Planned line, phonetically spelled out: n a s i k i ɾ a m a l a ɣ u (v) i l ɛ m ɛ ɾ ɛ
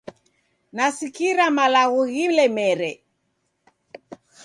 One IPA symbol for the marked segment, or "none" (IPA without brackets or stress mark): ɣ